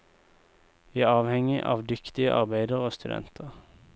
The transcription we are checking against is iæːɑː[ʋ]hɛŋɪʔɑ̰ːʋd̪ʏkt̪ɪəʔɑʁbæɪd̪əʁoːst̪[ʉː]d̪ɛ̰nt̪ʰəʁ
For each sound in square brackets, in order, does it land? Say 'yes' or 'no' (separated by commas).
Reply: yes, no